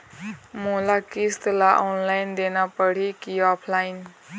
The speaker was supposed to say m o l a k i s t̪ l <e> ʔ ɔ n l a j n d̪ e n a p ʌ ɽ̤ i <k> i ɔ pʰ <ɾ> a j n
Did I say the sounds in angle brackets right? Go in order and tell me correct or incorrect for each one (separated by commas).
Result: incorrect, correct, incorrect